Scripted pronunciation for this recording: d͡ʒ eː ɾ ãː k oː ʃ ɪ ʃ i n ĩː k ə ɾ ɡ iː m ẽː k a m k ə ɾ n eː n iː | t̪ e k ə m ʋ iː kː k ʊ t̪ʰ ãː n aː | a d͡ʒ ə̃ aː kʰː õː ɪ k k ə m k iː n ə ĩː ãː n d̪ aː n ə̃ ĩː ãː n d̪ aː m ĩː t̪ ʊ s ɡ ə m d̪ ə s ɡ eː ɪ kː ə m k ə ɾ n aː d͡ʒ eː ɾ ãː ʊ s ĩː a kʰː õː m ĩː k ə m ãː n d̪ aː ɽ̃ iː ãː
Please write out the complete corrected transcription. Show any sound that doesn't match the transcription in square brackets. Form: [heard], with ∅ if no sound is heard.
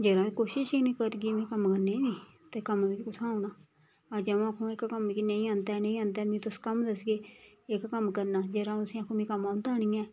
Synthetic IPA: d͡ʒ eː ɾ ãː k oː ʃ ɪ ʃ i n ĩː k ə ɾ ɡ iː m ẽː k [ə] m k ə ɾ n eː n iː | t̪ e k ə m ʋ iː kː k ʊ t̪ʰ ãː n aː | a d͡ʒ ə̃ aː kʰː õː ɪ k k ə m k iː n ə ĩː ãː n d̪ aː n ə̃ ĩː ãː n d̪ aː m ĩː t̪ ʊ s [k] ə m d̪ ə s ɡ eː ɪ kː ə m k ə ɾ n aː d͡ʒ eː ɾ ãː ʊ s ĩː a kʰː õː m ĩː k ə m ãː n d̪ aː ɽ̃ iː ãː